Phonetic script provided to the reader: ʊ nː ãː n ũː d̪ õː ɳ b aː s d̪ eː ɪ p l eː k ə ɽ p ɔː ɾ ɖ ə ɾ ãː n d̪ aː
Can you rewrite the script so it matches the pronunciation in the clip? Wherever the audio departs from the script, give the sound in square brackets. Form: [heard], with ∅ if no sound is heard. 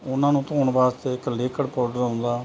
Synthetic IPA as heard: ʊ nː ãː n ũː [t̪] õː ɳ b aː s [t̪] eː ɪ [k] l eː k ə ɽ p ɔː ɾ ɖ ə ɾ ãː n d̪ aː